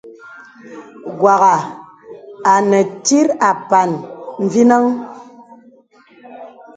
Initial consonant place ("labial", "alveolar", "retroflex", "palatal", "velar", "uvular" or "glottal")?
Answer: velar